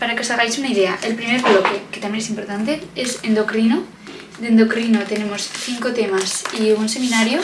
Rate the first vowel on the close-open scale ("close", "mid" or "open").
open